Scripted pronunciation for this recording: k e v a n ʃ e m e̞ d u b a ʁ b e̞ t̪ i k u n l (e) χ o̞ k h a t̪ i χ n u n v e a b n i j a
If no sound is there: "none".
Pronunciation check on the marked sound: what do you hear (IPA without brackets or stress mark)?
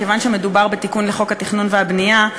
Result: e